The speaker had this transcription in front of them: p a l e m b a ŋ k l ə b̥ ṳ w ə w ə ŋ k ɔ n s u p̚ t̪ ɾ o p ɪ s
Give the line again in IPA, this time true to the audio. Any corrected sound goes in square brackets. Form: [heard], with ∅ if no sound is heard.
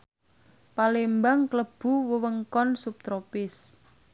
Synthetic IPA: p a l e m b a ŋ k l ə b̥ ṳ w ə w ə ŋ k ɔ n s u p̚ t̪ ɾ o p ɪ s